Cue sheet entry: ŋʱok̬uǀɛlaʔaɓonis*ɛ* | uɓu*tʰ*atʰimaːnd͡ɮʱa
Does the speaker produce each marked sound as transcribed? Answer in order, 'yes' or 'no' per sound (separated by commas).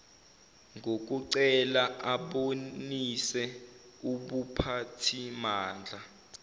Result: yes, no